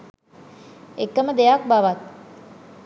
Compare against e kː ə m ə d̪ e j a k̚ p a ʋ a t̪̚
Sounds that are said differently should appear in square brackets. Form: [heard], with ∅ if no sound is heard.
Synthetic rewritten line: e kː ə m ə d̪ e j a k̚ [b] a ʋ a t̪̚